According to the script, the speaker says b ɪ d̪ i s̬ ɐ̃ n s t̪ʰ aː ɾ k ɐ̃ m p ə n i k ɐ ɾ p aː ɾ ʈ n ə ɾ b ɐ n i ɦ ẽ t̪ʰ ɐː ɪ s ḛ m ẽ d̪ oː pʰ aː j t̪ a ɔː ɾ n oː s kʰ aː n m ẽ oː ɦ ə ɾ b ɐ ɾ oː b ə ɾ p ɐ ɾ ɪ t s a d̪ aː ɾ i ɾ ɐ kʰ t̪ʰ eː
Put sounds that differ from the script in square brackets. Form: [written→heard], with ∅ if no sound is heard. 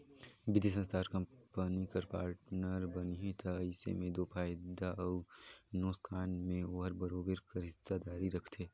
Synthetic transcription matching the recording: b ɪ d̪ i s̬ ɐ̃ n s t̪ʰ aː ɾ k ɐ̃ m p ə n i k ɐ ɾ p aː ɾ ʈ n ə ɾ b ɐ n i ɦ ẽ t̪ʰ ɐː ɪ s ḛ m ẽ d̪ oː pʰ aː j [t̪→d̪] a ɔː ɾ n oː s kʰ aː n m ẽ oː ɦ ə ɾ b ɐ ɾ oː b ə ɾ [p→k] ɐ ɾ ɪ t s a d̪ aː ɾ i ɾ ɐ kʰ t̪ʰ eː

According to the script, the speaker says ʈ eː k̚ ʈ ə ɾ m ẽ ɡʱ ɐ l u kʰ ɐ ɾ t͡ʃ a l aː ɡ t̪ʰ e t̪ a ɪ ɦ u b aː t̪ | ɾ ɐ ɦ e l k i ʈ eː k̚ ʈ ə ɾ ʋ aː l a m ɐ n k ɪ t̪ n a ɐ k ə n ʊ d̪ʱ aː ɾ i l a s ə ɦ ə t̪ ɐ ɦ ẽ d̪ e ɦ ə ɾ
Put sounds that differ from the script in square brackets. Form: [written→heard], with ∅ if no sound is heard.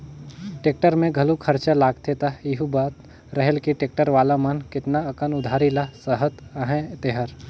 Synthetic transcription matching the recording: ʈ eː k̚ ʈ ə ɾ m ẽ ɡʱ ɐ l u kʰ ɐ ɾ t͡ʃ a l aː ɡ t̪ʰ e t̪ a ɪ ɦ u b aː t̪ | ɾ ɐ ɦ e l k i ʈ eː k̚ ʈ ə ɾ ʋ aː l a m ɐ n k ɪ t̪ n a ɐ k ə n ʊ d̪ʱ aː ɾ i l a s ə ɦ ə t̪ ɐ ɦ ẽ [d̪→t̪] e ɦ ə ɾ

